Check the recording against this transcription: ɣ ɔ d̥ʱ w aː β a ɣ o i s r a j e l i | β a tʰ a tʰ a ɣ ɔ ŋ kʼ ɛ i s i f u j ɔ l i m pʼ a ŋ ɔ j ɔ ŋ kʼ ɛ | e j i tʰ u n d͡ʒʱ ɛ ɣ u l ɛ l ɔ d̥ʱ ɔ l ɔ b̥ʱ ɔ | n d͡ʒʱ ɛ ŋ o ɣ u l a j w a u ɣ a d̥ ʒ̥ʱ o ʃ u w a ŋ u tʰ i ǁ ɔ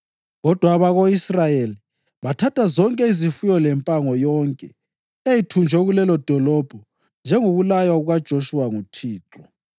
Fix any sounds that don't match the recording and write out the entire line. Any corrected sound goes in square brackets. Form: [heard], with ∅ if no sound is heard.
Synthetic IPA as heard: ɣ ɔ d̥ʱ w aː β a ɣ o i s r a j e l i | β a tʰ a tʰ a [z] ɔ ŋ kʼ ɛ i [z] i f u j ɔ l [ɛ] m pʼ a ŋ ɔ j ɔ ŋ kʼ ɛ | e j i tʰ u n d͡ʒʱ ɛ ɣ u l ɛ l ɔ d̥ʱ ɔ l ɔ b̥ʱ ɔ | n d͡ʒʱ ɛ ŋ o ɣ u l a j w a u ɣ a d̥ ʒ̥ʱ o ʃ u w a ŋ u tʰ [iː] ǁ ɔ